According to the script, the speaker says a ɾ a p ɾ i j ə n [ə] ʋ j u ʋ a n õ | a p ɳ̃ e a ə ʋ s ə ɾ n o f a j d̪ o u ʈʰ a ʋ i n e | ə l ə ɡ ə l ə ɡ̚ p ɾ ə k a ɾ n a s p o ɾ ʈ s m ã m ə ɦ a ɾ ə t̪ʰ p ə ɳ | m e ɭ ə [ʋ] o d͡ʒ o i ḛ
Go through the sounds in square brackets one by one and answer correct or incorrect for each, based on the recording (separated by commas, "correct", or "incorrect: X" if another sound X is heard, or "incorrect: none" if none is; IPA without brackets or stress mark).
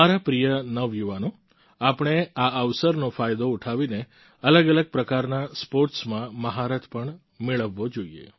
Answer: correct, incorrect: ʋː